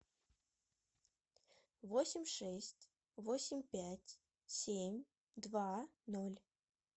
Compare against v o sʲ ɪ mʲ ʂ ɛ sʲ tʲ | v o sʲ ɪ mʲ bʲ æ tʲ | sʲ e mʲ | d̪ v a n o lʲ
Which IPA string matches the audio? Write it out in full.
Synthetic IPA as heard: v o sʲ ɪ mʲ ʂ ɛ sʲ tʲ | v o sʲ ɪ mʲ pʲ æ tʲ | sʲ e mʲ | d̪ v a n o lʲ